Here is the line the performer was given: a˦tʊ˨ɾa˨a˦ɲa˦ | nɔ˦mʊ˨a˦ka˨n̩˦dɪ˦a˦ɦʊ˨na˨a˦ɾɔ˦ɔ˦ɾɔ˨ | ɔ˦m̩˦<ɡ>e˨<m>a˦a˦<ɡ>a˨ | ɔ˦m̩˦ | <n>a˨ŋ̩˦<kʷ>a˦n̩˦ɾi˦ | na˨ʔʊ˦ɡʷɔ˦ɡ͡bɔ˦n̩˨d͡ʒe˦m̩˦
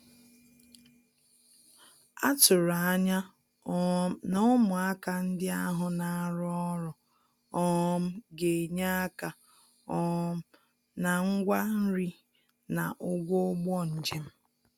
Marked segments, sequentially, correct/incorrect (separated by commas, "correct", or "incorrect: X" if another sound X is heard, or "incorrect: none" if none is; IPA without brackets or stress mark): correct, incorrect: ɲ, incorrect: k, correct, incorrect: ɡʷ